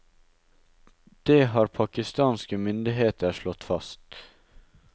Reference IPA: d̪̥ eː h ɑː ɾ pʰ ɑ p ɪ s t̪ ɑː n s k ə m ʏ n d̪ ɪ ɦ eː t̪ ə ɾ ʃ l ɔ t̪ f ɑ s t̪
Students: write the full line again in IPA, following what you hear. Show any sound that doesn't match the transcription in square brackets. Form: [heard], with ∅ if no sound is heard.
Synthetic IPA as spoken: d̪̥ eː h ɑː ɾ pʰ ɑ [k] ɪ s t̪ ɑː n s k ə m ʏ n d̪ ɪ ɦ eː t̪ ə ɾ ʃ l ɔ t̪ f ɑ s t̪